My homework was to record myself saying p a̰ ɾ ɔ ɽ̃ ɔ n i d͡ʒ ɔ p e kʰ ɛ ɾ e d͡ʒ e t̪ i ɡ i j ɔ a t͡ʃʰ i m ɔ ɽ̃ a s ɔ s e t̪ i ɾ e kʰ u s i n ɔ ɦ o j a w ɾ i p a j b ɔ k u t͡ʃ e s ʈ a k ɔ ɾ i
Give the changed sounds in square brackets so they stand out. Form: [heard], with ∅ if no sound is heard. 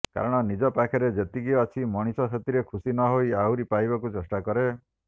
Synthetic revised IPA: [k] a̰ ɾ ɔ ɽ̃ ɔ n i d͡ʒ ɔ p [a] kʰ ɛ ɾ e d͡ʒ e t̪ i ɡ i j ɔ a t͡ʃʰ i m ɔ ɽ̃ [i] s ɔ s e t̪ i ɾ e kʰ u s i n ɔ ɦ o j a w ɾ i p a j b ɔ k u t͡ʃ e s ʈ a k ɔ ɾ [e]